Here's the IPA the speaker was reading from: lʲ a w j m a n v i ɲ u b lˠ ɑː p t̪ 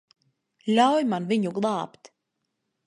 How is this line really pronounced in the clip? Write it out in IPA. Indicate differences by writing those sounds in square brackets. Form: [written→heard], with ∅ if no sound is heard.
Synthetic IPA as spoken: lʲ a w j m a n v i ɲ u [b→ɡ] lˠ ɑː p t̪